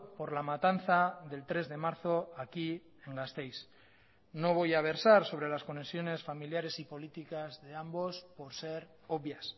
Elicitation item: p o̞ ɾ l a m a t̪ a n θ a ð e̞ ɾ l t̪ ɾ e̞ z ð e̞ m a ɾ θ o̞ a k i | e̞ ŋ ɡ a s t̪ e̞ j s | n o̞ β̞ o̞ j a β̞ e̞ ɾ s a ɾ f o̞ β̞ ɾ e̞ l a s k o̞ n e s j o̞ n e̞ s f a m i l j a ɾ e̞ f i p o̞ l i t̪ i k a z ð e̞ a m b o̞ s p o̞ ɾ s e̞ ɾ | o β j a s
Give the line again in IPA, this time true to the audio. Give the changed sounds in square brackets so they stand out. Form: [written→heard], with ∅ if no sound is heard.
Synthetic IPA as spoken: p o̞ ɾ l a m a t̪ a n θ a ð e̞ [ɾ→∅] l t̪ ɾ e̞ z ð e̞ m a ɾ θ o̞ a k i | e̞ ŋ ɡ a s t̪ e̞ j s | n o̞ β̞ o̞ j a β̞ e̞ ɾ s a ɾ [f→s] o̞ β̞ ɾ e̞ l a s k o̞ n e s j o̞ n e̞ s f a m i l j a ɾ e̞ [f→s] i p o̞ l i t̪ i k a z ð e̞ a m b o̞ s p o̞ ɾ s e̞ ɾ | o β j a s